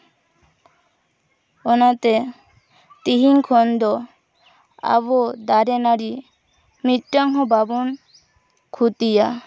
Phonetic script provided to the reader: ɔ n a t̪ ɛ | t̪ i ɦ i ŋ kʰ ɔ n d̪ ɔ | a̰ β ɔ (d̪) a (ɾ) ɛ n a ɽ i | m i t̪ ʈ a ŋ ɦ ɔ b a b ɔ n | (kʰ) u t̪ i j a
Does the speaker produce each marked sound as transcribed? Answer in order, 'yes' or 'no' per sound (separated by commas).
yes, yes, yes